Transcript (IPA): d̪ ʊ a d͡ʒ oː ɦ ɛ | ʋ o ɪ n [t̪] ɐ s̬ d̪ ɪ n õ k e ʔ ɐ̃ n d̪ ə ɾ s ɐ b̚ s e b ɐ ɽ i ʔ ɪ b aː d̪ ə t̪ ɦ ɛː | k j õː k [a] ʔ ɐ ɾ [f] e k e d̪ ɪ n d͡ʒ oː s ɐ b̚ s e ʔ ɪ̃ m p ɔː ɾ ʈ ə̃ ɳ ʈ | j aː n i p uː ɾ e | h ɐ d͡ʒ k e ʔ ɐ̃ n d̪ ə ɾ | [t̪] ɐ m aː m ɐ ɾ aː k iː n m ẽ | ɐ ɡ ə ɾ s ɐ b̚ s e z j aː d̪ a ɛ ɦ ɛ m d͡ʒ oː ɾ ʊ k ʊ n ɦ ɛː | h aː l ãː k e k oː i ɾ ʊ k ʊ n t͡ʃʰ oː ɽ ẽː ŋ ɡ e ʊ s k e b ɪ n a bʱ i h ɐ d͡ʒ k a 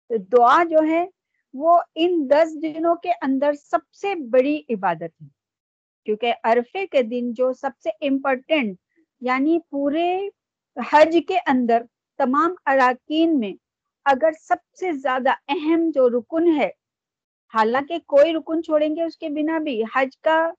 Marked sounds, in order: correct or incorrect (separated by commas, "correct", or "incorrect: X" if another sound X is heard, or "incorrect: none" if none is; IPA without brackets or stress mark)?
incorrect: d̪, incorrect: e, correct, correct